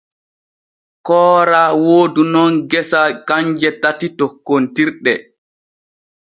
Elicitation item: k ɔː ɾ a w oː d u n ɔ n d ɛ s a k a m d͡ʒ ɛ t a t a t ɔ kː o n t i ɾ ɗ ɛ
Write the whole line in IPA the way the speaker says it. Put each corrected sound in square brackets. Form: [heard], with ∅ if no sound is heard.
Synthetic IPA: k ɔː ɾ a w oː d u n ɔ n [ɡ] ɛ s a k a [ɲ] d͡ʒ ɛ t a t [i] t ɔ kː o n t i ɾ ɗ ɛ